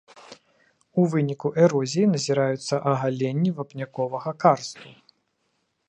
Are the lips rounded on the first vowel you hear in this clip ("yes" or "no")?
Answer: yes